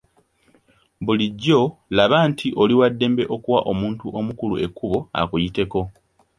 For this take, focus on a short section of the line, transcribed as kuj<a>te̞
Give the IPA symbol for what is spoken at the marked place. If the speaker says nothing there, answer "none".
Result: i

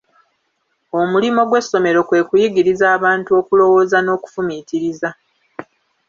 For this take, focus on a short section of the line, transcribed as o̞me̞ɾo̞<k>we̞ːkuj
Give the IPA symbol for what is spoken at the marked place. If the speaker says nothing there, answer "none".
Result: k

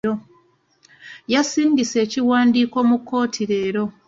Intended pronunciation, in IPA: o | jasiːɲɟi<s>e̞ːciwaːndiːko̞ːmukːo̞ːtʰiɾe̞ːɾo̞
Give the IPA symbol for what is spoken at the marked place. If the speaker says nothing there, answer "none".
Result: s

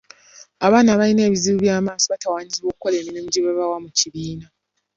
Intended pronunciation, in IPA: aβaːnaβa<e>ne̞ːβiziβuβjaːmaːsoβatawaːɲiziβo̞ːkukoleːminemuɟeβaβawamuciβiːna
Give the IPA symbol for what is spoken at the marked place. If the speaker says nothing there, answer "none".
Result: i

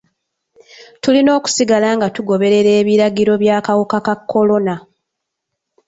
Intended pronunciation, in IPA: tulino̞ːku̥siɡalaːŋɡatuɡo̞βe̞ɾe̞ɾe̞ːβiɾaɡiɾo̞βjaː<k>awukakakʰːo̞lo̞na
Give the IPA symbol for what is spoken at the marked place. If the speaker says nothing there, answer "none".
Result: k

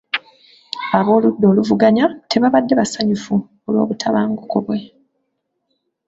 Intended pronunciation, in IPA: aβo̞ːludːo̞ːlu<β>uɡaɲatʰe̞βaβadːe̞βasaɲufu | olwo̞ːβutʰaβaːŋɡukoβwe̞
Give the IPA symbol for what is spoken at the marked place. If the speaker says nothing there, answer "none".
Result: v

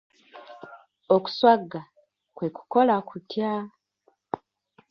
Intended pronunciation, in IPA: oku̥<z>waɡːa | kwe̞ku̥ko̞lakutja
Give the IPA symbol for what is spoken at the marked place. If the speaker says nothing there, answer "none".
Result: s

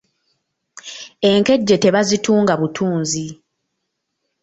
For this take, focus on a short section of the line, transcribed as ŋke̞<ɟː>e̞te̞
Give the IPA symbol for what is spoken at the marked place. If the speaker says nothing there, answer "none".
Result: ɟː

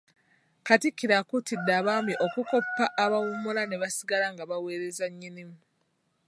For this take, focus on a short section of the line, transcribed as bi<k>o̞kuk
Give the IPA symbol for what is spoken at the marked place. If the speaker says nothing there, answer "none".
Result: ʔ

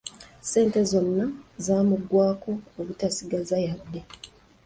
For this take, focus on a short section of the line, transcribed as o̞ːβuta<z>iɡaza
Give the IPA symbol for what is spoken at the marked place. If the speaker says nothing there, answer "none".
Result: s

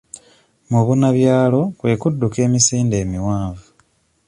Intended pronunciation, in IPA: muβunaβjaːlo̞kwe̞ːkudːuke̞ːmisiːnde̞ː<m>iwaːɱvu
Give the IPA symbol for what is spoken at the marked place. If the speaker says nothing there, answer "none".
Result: m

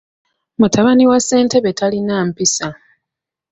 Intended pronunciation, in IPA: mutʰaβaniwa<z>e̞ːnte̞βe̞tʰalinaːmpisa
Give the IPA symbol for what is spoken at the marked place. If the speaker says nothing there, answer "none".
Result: s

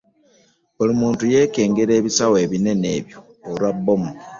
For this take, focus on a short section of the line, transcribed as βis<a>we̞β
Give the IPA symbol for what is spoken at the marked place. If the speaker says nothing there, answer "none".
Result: a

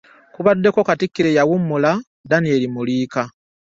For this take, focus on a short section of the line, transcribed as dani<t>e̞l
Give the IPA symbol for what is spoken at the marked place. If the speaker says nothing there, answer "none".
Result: none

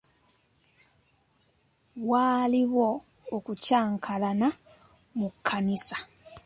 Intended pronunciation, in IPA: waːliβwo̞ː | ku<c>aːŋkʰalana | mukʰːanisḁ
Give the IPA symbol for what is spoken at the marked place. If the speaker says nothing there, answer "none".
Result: c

